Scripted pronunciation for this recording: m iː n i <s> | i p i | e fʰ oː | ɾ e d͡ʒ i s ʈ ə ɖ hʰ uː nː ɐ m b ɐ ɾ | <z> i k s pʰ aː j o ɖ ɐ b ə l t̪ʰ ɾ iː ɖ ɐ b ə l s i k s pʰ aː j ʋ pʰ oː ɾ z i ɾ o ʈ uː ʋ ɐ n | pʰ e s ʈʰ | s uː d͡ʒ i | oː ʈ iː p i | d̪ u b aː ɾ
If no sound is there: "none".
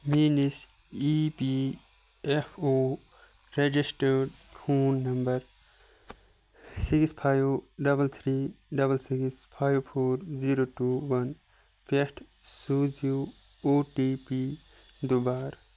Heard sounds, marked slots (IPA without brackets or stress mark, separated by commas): s, s